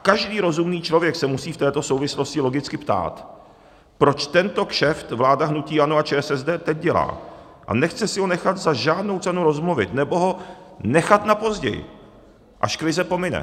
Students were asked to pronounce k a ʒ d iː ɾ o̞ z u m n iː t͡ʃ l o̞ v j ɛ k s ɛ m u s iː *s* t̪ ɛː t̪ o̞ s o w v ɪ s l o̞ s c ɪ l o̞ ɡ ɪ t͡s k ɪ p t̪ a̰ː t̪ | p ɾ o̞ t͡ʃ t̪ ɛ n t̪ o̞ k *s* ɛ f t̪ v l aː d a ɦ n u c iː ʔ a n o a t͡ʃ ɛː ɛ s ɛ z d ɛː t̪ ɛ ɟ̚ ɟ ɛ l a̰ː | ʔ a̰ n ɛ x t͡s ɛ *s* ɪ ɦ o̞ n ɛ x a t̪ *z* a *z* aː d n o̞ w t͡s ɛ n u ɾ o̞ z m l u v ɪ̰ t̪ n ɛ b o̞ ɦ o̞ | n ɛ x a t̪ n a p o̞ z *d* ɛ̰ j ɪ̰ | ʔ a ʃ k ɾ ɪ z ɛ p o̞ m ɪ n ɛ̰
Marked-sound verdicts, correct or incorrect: incorrect: f, incorrect: ʃ, correct, correct, incorrect: ʒ, incorrect: ɟ

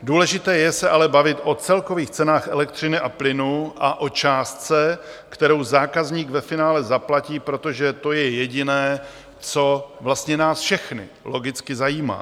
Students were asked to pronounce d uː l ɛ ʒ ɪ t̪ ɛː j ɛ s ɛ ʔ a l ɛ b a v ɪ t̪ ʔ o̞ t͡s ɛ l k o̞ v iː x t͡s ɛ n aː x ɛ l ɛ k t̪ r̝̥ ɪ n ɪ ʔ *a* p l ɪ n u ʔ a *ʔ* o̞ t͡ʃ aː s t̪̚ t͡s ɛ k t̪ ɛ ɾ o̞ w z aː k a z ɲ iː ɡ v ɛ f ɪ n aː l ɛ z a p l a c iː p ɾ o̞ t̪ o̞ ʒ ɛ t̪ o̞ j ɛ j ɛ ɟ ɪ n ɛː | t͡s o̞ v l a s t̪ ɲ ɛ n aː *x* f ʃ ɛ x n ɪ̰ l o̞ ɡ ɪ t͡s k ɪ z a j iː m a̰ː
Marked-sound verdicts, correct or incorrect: correct, correct, incorrect: s

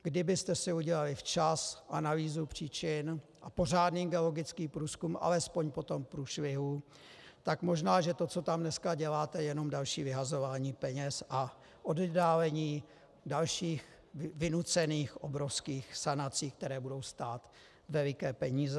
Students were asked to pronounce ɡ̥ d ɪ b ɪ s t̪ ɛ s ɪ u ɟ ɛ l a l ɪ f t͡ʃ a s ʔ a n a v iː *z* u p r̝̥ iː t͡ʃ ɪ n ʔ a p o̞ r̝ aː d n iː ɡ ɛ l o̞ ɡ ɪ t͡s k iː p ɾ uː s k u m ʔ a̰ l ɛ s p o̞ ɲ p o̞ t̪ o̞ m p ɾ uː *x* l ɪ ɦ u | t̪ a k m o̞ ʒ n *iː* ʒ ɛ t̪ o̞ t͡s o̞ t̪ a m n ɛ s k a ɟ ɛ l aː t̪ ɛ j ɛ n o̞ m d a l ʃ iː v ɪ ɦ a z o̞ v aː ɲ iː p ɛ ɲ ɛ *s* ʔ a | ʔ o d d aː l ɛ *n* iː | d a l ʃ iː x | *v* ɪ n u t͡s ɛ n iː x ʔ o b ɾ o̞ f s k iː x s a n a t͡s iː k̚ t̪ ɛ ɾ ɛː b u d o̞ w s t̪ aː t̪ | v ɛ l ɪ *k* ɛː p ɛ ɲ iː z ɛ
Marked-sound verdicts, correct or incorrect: correct, incorrect: ʃ, incorrect: aː, correct, incorrect: ɲ, correct, correct

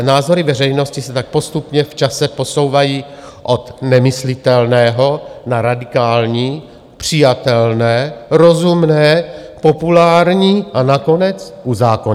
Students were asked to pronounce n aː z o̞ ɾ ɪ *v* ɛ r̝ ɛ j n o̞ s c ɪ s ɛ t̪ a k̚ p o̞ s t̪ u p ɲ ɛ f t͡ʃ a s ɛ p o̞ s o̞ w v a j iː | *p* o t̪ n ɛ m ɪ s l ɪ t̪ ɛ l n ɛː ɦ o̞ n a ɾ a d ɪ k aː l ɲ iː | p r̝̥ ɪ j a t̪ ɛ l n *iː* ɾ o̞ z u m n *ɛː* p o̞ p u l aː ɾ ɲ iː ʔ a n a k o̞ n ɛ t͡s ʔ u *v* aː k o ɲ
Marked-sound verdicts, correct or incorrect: correct, incorrect: ʔ, incorrect: ɛː, correct, incorrect: z

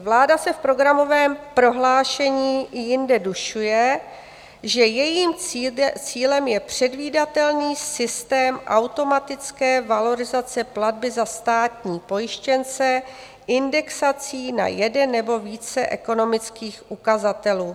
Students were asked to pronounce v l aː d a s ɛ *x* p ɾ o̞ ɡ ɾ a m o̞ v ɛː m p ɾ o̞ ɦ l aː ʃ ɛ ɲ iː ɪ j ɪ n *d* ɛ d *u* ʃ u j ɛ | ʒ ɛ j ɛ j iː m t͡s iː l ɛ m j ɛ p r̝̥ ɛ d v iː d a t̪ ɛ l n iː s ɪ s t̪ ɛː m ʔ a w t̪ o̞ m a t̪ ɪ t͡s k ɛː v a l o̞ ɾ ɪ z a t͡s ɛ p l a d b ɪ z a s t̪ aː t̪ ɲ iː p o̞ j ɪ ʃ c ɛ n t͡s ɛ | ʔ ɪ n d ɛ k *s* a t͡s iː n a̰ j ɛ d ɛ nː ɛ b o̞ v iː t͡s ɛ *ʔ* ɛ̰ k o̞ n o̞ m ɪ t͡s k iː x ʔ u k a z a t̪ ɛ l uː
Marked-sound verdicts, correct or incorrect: incorrect: f, correct, correct, correct, correct

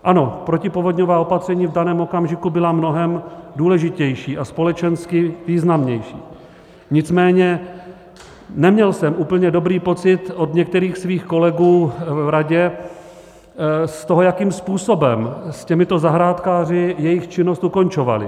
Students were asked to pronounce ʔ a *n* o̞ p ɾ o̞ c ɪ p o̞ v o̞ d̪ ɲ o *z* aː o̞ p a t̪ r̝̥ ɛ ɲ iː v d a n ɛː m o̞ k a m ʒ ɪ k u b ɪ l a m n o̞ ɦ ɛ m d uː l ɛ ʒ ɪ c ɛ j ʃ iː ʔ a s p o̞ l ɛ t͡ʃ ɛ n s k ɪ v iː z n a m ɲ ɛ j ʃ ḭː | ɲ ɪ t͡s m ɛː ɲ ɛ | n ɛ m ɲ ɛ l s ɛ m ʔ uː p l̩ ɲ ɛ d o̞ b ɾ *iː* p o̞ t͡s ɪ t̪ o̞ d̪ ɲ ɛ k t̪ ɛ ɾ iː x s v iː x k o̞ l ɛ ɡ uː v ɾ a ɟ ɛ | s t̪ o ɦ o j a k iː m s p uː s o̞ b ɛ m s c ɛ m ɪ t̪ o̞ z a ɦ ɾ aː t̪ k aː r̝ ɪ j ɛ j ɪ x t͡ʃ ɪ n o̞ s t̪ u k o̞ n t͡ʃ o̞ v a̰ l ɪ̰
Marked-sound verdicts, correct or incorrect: correct, incorrect: v, correct

